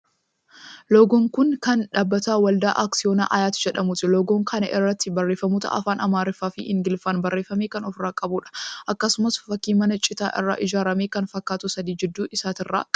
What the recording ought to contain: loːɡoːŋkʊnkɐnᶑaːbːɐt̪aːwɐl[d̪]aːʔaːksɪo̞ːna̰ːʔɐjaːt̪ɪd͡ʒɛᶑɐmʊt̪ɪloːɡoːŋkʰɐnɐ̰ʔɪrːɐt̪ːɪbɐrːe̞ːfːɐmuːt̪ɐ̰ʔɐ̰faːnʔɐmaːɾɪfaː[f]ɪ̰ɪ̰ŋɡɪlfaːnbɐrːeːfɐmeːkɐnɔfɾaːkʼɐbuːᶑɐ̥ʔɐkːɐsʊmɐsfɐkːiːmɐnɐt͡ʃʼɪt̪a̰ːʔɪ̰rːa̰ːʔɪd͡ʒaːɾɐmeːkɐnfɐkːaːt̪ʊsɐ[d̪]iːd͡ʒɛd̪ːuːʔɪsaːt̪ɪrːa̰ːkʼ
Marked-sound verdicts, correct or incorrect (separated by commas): correct, correct, correct